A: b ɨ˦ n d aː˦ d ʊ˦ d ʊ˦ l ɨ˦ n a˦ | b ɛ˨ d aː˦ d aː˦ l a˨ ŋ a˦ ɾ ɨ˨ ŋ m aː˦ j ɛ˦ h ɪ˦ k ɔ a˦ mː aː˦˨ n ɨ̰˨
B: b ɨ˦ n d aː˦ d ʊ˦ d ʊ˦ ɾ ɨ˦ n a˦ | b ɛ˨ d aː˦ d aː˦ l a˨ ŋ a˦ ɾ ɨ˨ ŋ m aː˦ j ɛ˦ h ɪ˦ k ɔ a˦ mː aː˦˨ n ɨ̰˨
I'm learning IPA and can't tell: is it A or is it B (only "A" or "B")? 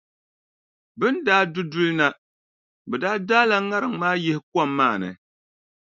A